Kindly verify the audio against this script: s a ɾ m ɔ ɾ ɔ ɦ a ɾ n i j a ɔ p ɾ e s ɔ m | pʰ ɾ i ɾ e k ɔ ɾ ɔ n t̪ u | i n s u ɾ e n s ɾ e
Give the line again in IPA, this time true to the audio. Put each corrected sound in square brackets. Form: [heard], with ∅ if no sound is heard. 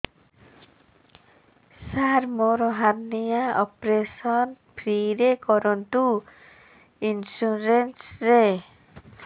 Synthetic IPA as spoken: s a ɾ m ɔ ɾ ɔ ɦ a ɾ n i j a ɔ p ɾ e s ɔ [n] | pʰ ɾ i ɾ e k ɔ ɾ ɔ n t̪ u | i n s u ɾ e n s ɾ e